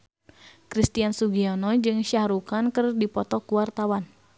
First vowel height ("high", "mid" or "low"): high